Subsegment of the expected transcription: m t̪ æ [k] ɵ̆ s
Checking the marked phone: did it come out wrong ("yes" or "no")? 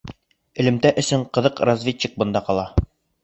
yes